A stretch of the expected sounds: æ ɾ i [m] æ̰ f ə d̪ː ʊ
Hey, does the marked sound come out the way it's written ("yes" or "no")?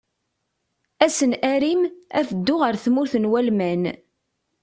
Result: yes